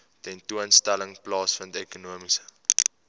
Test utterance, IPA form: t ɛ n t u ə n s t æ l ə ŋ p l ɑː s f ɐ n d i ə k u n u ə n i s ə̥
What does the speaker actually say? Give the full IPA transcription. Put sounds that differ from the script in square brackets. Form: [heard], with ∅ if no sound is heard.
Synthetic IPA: t ɛ n t u ə n s t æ l ə ŋ p l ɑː s f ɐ n d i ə k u n u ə [m] i s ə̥